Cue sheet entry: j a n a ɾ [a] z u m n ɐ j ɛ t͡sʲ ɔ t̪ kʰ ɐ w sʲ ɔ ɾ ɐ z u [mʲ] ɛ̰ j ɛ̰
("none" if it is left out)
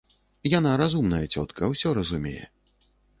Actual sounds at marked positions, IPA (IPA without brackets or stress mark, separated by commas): a, mʲ